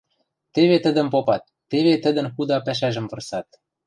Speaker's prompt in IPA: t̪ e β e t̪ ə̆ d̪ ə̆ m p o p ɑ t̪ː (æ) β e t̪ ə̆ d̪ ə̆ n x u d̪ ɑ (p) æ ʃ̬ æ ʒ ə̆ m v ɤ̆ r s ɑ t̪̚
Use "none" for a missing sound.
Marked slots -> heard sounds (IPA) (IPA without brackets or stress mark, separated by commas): e, p